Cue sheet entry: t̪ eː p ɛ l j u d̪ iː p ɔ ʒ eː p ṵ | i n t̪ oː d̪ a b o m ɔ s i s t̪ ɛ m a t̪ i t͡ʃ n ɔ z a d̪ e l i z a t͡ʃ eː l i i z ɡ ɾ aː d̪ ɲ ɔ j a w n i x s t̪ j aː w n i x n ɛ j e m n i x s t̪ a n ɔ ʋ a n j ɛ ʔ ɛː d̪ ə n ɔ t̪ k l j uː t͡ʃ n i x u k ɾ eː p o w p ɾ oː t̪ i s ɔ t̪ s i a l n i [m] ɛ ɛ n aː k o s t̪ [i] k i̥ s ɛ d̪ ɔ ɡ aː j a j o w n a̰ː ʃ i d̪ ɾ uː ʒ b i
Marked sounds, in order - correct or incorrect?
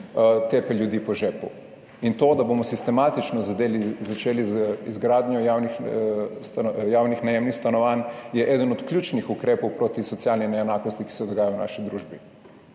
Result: incorrect: n, correct

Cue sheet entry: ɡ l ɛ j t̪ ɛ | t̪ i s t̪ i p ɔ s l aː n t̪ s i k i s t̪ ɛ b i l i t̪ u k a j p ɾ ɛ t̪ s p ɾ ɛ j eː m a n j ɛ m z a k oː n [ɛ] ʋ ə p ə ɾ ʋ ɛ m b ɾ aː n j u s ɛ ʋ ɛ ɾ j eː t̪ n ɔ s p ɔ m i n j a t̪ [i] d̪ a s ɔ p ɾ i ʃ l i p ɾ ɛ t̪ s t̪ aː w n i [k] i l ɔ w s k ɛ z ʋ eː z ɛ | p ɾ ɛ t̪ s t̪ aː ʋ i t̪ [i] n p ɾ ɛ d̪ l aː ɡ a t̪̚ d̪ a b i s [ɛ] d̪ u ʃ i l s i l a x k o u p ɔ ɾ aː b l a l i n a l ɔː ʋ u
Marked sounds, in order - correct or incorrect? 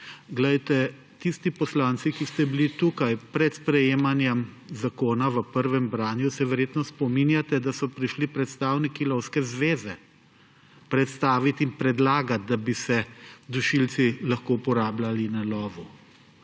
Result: incorrect: a, incorrect: ɛ, correct, correct, correct

